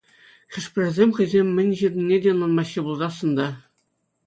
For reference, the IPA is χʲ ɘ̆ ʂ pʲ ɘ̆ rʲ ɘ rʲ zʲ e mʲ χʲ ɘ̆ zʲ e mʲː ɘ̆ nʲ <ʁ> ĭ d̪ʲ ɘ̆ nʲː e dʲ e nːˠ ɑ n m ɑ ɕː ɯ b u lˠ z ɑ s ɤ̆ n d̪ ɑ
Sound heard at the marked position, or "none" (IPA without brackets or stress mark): ʑ